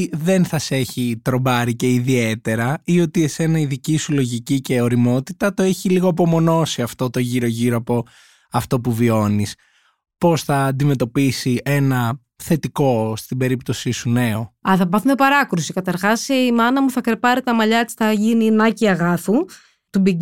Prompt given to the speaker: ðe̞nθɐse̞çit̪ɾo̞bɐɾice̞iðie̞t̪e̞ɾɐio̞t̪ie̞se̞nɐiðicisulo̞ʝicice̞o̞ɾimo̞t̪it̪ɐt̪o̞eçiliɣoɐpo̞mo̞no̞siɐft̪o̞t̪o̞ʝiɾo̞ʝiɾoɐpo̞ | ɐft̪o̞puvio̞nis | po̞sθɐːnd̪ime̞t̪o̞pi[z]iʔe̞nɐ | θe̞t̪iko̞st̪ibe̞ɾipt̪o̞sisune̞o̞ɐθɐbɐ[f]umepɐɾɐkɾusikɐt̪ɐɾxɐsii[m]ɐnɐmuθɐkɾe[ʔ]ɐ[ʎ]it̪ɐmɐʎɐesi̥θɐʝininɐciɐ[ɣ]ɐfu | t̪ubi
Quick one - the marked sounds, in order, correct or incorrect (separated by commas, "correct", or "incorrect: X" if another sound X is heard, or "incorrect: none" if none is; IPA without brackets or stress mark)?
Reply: incorrect: s, incorrect: θ, correct, incorrect: p, incorrect: ɾ, correct